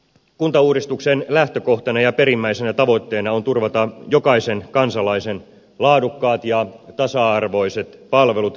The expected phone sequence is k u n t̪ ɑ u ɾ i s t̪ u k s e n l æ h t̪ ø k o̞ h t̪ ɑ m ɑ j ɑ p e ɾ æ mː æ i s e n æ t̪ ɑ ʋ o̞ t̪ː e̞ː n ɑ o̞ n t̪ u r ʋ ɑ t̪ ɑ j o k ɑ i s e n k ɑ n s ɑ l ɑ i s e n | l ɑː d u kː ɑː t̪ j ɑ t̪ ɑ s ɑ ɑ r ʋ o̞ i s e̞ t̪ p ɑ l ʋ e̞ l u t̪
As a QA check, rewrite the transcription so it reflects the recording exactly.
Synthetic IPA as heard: k u n t̪ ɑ uː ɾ i s t̪ u k s e n l æ h t̪ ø k o̞ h t̪ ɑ n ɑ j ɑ p e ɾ i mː æ i s e n æ t̪ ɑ ʋ o̞ t̪ː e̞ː n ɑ o̞ n t̪ u r ʋ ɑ t̪ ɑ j o k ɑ i s e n k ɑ n s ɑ l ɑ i s e n | l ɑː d u kː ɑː t̪ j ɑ t̪ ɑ s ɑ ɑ r ʋ o̞ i s e̞ t̪ p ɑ l ʋ e̞ l u t̪

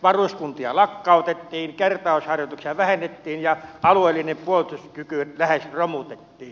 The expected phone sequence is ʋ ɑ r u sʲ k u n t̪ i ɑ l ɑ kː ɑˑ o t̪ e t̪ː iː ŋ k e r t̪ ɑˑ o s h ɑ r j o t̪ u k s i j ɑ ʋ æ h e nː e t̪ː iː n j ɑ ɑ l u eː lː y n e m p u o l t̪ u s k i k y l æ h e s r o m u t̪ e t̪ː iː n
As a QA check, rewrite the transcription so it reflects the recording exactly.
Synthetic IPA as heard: ʋ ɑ r u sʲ k u n t̪ i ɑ l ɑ kː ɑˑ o t̪ e t̪ː iː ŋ k e r t̪ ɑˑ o s h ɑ r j o t̪ u k s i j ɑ ʋ æ h e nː e t̪ː iː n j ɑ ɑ l u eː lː i n e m p u o l t̪ u s k y k y l æ h e s r o m u t̪ e t̪ː iː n

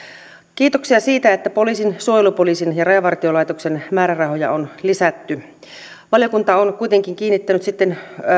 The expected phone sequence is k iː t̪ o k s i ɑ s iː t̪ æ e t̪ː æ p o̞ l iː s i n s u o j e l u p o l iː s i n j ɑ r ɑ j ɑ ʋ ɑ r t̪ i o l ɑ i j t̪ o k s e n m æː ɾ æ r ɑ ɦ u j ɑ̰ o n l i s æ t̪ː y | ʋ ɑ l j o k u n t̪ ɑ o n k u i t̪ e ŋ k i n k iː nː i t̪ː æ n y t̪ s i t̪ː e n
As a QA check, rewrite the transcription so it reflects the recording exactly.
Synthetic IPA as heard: k iː t̪ o k s i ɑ s iː t̪ æ e t̪ː æ p o̞ l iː s i n s u o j e l u p o l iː s i n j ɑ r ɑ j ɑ ʋ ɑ r t̪ i o l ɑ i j t̪ o k s e n m æː ɾ æ r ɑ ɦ o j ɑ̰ o n l i s æ t̪ː y | ʋ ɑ l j o k u n t̪ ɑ o n k u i t̪ e ŋ k i ŋ k iː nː i t̪ː æ n y t̪ s i t̪ː e n

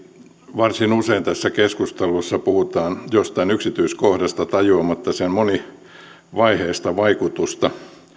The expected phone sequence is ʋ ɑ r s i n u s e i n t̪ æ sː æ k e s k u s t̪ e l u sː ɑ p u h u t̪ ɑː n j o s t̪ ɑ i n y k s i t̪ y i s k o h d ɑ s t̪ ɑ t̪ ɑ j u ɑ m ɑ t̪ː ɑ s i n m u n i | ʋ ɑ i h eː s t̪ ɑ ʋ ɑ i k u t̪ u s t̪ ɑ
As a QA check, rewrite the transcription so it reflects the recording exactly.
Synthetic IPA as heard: ʋ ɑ r s i n u s e i n t̪ æ sː æ k e s k u s t̪ e l u sː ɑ p u h u t̪ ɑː n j o s t̪ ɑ i n y k s i t̪ y i s k o h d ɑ s t̪ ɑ t̪ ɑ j u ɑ m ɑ t̪ː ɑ s e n m o n i | ʋ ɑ i h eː s t̪ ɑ ʋ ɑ i k u t̪ u s t̪ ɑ

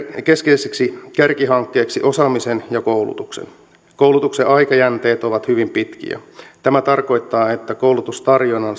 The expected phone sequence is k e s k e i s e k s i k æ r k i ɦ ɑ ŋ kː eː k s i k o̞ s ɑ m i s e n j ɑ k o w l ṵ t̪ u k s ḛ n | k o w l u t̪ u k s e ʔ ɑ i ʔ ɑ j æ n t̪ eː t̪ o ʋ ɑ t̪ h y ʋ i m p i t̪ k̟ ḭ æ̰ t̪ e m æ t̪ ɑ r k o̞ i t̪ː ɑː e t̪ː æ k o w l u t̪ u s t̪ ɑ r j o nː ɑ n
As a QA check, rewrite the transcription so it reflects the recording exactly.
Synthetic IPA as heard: k e s k e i s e k s i k æ r k i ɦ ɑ ŋ kː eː k s i ʔ o̞ s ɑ m i s e n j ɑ k o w l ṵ t̪ u k s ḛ n | k o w l u t̪ u k s e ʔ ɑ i k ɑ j æ n t̪ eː t̪ o ʋ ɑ t̪ h y ʋ i m p i t̪ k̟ ḭ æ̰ t̪ æ m æ t̪ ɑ r k o̞ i t̪ː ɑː e t̪ː æ k o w l u t̪ u s t̪ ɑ r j o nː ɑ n

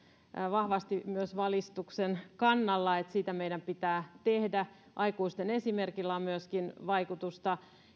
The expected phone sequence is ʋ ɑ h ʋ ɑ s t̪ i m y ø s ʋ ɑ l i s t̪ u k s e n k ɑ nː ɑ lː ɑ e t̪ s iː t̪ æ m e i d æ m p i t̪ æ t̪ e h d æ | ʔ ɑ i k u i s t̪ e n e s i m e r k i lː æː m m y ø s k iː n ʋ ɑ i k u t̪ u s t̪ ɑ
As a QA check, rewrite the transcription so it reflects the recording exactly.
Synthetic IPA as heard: ʋ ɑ h ʋ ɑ s t̪ i m y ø s ʋ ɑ l i s t̪ u k s e n k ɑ nː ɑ lː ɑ e t̪ s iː t̪ æ m e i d æ m p i t̪ æː t̪ e h d æ | ʔ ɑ i k u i s t̪ e n e s i m e r k i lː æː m m y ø s k i n ʋ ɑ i k u t̪ u s t̪ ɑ

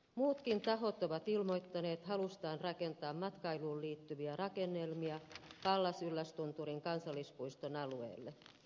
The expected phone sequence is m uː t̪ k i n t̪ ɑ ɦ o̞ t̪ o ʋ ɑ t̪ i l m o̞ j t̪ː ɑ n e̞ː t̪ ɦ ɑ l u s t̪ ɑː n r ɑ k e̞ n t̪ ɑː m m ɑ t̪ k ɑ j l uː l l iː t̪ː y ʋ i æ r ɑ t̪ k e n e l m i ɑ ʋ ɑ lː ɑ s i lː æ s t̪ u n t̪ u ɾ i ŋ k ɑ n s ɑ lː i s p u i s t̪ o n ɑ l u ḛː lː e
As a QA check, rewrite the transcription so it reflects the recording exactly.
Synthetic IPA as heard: m uː t̪ k i n t̪ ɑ ɦ o̞ t̪ o ʋ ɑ t̪ i l m o̞ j t̪ː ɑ n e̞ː t̪ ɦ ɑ l u s t̪ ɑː n r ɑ k e̞ n t̪ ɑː m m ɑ t̪ k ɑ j l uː l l iː t̪ː y ʋ i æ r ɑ k e nː e l m i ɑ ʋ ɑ lː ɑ s y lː æ s t̪ u n t̪ u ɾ i ŋ k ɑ n s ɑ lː i s p u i s t̪ o n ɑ l u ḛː lː e

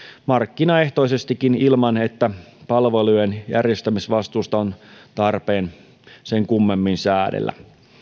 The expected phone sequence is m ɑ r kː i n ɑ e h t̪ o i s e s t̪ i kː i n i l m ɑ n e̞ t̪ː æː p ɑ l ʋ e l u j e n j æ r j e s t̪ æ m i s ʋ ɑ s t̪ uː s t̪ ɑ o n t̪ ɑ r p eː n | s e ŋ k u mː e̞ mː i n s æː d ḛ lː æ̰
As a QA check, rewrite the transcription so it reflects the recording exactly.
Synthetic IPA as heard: m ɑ r kː i n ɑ e h t̪ o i s e s t̪ i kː i n i l m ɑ n e̞ t̪ː æ p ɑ l ʋ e l u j e n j æ r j e s t̪ æ m i s ʋ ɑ s t̪ uː s t̪ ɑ o n t̪ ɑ r p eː n | s e ŋ k u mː e̞ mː i n s æː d ḛ lː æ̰

